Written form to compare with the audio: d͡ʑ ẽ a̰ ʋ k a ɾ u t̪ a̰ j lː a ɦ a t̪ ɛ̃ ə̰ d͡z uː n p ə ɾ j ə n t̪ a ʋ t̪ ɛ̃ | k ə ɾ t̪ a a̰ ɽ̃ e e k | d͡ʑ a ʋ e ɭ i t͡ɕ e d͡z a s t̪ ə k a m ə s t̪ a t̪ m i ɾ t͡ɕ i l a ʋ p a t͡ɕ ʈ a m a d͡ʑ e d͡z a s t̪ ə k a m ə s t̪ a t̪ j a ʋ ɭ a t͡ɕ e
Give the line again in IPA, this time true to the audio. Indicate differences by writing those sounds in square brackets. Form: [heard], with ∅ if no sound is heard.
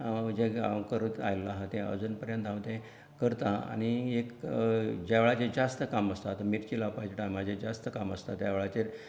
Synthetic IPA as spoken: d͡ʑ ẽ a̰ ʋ k [ə] ɾ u t̪ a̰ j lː a ɦ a t̪ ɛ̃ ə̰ d͡z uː n p ə ɾ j ə n t̪ a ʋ t̪ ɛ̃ | k ə ɾ t̪ a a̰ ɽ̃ [i] e k | d͡ʑ a ʋ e ɭ [a] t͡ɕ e d͡z a s t̪ ə k a m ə s t̪ a t̪ m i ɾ t͡ɕ i l a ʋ p a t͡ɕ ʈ a m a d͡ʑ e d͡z a s t̪ ə k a m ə s t̪ a t̪ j a ʋ ɭ a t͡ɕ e